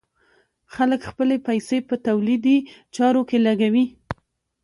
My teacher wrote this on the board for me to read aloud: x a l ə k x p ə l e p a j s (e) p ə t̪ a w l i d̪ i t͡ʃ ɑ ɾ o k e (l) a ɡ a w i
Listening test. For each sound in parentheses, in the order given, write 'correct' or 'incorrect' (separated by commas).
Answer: correct, correct